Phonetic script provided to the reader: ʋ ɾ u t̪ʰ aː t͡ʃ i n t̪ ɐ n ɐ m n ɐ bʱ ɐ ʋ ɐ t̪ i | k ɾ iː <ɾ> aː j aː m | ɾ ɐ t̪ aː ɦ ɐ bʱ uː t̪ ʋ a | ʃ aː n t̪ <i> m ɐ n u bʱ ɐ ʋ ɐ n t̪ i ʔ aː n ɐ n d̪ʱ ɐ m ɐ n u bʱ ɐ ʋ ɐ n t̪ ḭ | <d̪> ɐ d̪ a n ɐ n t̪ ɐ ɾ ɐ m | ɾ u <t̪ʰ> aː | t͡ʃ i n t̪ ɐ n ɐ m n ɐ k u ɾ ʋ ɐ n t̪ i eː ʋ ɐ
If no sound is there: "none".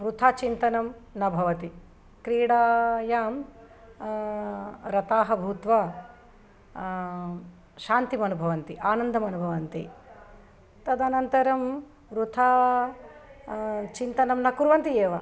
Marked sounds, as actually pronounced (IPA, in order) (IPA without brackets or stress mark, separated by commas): ɽ, i, t̪, t̪ʰ